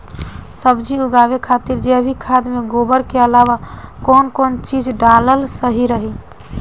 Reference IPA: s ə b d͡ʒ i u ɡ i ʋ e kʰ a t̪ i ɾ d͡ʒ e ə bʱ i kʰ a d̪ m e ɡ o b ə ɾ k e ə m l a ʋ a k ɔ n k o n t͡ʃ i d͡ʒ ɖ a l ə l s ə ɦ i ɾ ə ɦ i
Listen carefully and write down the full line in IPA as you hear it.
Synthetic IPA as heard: s ə b d͡ʒ i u ɡ a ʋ e kʰ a t̪ i ɾ d͡ʒ e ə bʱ i kʰ a d̪ m e ɡ o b ə ɾ k e ə l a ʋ a k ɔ n k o n t͡ʃ i d͡ʒ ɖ a l ə l s ə ɦ i ɾ ə ɦ i